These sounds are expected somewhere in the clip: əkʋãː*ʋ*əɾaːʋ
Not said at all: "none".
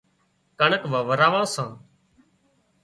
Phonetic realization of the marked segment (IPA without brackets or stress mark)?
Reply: ʋ